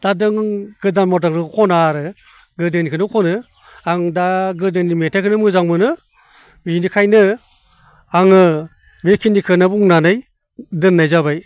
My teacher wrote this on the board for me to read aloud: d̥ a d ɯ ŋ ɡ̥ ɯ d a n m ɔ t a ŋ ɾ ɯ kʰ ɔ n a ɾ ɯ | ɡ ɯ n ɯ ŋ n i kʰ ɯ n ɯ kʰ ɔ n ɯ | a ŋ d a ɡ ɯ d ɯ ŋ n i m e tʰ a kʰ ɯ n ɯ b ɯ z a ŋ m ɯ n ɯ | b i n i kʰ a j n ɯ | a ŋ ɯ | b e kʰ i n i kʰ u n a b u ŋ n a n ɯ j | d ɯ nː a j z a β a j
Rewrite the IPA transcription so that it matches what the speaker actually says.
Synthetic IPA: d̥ a d ɯ ŋ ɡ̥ ɯ d a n m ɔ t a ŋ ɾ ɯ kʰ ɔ n a ɾ ɯ | ɡ ɯ d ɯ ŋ n i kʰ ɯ n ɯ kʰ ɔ n ɯ | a ŋ d a ɡ ɯ d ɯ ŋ n i m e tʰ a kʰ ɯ n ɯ m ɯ z a ŋ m ɯ n ɯ | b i n i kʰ a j n ɯ | a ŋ ɯ | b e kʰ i n i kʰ ɯ n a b u ŋ n a n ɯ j | d ɯ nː a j z a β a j